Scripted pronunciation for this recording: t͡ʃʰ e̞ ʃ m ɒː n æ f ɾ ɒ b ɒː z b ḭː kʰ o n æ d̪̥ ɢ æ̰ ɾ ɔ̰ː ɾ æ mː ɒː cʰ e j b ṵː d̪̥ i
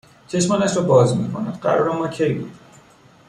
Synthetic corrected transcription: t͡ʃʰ e̞ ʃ m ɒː n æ ʃ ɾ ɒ b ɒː z m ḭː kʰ o n æ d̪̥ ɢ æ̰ ɾ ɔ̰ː ɾ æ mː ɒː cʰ e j b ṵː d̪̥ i